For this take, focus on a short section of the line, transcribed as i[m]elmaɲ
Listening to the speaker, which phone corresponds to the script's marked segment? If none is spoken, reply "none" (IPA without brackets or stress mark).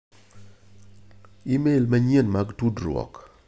m